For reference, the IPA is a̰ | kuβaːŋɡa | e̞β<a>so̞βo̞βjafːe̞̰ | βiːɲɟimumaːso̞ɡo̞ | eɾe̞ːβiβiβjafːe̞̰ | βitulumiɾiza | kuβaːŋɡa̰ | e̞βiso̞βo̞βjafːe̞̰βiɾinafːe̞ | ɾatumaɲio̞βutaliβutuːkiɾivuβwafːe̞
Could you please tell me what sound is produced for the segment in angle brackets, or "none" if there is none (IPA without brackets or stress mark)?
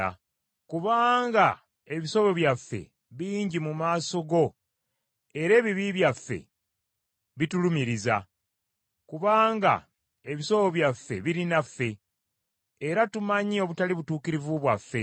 i